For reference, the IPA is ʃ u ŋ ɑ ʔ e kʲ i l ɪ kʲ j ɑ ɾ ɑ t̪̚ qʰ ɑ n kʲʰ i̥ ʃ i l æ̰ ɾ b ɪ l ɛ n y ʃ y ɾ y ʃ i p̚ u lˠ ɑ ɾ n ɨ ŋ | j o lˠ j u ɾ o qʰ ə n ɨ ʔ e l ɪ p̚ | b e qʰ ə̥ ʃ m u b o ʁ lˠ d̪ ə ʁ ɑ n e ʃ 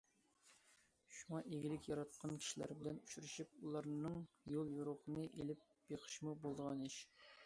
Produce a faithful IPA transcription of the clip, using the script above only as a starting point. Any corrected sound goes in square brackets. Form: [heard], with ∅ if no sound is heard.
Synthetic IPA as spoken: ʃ u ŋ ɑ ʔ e [ɡʲ] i l ɪ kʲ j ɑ ɾ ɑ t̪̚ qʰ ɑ n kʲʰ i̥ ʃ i l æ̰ ɾ b ɪ l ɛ n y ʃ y ɾ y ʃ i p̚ u lˠ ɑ ɾ n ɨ ŋ | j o lˠ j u ɾ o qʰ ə n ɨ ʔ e l ɪ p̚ | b e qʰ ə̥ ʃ m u b o [∅] lˠ d̪ ə ʁ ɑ n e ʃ